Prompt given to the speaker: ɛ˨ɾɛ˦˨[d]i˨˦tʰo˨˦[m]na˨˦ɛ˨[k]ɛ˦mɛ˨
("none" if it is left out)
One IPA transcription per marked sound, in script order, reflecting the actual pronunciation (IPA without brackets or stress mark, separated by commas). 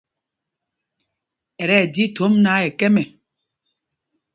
d, m, k